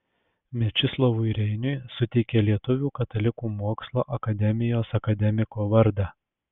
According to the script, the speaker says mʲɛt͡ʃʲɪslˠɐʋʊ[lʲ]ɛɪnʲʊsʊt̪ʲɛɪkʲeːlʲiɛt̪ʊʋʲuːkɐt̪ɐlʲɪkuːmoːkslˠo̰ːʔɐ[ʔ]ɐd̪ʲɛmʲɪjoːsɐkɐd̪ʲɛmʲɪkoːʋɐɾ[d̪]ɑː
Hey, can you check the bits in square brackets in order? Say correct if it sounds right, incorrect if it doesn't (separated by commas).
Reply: incorrect, incorrect, correct